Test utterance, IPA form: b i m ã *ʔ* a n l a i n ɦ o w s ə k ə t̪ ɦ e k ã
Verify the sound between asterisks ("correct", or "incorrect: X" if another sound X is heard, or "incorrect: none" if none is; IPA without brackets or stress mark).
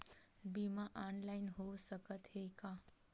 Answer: correct